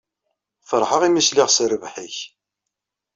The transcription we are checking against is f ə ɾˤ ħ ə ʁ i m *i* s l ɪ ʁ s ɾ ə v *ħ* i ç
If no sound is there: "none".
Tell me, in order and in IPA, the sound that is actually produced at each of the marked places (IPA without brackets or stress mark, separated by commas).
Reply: i, ħ